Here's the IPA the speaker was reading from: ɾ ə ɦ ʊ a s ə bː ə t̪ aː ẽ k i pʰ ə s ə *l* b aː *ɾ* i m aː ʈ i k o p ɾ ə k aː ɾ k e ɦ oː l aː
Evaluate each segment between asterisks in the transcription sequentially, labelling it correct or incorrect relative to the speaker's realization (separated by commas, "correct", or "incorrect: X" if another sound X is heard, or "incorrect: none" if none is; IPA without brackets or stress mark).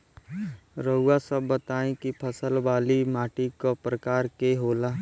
correct, incorrect: l